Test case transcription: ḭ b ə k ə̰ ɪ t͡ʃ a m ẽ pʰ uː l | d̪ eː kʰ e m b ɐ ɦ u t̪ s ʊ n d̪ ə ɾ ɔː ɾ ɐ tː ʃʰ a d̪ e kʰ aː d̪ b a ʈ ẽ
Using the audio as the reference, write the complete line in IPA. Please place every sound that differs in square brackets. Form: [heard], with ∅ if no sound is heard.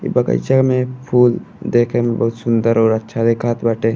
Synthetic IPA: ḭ b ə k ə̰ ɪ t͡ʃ a m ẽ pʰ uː l | d̪ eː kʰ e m b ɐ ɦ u t̪ s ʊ n d̪ ə ɾ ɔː ɾ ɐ tː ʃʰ a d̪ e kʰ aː [t̪] b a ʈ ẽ